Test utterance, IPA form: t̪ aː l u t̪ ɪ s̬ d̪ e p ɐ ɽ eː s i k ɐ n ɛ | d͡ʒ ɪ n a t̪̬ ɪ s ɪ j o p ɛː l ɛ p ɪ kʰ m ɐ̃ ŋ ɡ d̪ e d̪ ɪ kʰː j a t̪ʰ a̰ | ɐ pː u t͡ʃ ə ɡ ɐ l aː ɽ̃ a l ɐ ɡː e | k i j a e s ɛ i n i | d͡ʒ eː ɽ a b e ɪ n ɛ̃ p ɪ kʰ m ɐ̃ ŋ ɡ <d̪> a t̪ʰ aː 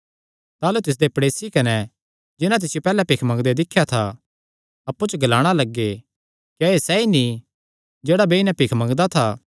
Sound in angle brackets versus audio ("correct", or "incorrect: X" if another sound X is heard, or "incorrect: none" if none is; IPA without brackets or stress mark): correct